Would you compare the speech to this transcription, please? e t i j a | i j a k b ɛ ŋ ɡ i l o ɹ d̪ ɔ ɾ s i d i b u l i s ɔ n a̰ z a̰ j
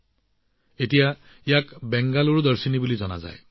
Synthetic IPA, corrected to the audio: e t i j a | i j a k b ɛ ŋ ɡ a l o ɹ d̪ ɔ ɹ s i n i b u l i z ɔ n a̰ z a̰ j

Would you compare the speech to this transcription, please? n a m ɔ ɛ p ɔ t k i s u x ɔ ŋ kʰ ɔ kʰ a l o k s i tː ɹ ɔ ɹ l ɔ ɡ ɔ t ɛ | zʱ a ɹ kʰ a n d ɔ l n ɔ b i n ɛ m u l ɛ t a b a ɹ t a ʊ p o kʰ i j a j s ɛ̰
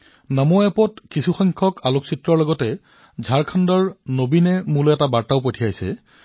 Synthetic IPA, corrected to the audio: n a m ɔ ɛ p ɔ t k i s u x ɔ ŋ kʰ ɔ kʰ a l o k s i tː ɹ ɔ ɹ l ɔ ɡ ɔ t ɛ | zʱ a ɹ kʰ a n d ɔ ɹ n o b i n ɛ m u l ɛ t a b a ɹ t a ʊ p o tʰ i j a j s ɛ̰

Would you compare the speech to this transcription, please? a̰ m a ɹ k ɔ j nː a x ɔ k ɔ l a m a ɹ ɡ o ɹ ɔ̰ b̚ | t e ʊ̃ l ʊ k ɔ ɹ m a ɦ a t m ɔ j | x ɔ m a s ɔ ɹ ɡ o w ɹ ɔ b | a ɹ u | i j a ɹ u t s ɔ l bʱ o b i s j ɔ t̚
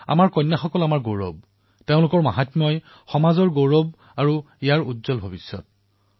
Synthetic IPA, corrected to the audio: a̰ m a ɹ k ɔ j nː a x ɔ k ɔ l a m a ɹ ɡ o ɹ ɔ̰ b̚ | t e ʊ̃ l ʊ k ɔ ɹ m a ɦ a t m ɔ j | x ɔ m a z ɔ ɹ ɡ o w ɹ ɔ b | a ɹ u | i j a ɹ u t z ɔ l bʱ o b i s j ɔ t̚

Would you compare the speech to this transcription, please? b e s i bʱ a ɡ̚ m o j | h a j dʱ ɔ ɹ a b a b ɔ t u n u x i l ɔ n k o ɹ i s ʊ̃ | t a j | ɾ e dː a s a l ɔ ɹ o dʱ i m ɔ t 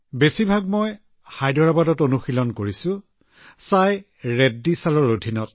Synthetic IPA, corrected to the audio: b e s i bʱ a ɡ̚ m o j | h a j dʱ ɔ ɹ a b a d ɔ t o n u x i l ɔ n k o ɹ i s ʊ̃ | s a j | ɹ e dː i s a l ɔ ɹ o dʱ i n ɔ t

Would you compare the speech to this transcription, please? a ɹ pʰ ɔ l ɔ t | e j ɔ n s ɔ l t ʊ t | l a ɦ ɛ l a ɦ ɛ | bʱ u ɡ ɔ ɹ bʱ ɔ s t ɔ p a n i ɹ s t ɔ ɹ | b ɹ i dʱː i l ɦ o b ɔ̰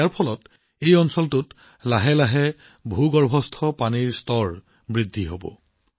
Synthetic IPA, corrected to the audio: a ɹ pʰ ɔ l ɔ t | e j ɔ n s ɔ l t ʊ t | l a ɦ ɛ l a ɦ ɛ | bʱ u ɡ ɔ ɹ bʱ ɔ s tʰ ɔ p a n i ɹ s t ɔ ɹ | b ɹ i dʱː i ɦ o b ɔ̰

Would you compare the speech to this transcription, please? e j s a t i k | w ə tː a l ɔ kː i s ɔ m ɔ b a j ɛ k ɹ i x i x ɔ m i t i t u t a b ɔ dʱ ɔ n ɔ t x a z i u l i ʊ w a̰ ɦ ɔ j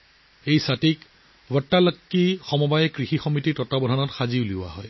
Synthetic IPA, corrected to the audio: e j s a t i k | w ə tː a l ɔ kː i x ɔ m ɔ b a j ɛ k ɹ i x i x ɔ m i t i t ɔ t a b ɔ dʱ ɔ n ɔ t x a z i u l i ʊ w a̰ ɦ ɔ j

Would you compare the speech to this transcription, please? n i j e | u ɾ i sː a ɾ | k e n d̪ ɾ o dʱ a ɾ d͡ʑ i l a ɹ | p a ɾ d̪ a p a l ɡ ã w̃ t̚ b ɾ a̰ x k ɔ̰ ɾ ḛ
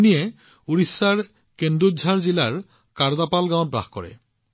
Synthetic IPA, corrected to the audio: n i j e | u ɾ i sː a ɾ | k e n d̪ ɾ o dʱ a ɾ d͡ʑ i l a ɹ | k a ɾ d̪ a p a l ɡ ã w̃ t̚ b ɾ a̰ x k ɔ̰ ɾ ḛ

